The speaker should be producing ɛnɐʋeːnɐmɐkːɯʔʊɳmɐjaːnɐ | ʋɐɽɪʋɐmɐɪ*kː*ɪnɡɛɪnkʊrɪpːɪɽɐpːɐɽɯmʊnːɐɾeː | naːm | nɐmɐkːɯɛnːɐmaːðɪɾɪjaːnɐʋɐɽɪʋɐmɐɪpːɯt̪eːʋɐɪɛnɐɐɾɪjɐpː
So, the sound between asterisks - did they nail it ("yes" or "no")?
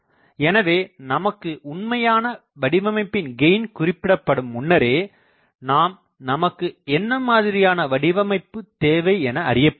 no